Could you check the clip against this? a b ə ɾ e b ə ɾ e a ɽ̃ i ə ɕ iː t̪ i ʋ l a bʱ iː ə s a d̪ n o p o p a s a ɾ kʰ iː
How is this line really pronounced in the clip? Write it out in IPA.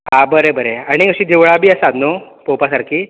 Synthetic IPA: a b ə ɾ e b ə ɾ e a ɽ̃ i ə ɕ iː d̪ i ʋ ɭ a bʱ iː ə s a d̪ n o p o p a s a ɾ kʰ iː